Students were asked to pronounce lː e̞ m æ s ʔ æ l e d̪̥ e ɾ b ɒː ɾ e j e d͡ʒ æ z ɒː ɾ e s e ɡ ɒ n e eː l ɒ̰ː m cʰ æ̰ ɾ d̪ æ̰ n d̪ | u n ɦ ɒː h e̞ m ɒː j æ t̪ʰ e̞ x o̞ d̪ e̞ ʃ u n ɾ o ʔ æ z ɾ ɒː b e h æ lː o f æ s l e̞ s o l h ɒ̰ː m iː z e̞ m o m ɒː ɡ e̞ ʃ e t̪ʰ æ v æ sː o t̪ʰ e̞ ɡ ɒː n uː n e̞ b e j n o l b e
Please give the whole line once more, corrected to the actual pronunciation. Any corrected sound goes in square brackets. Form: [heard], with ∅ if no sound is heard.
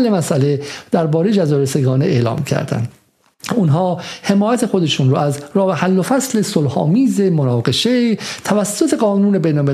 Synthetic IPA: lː e̞ m æ s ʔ æ l e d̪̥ [æ] ɾ b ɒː ɾ e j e d͡ʒ æ z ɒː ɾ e s e ɡ [ɒː] n e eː l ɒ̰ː m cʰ æ̰ ɾ d̪ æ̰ n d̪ | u n ɦ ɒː h e̞ m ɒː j æ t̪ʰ e̞ x o̞ d̪ e̞ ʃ u n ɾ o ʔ æ z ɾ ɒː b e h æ lː o f æ s l e̞ s o l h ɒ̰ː m iː z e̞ m o [n] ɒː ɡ e̞ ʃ e t̪ʰ æ v æ sː o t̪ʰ e̞ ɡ ɒː n uː n e̞ b e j n o l [m] e